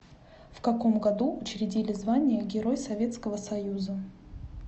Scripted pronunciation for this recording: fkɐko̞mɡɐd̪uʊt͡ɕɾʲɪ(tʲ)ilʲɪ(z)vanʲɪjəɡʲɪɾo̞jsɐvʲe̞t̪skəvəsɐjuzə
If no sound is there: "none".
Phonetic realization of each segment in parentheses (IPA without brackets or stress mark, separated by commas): dʲ, z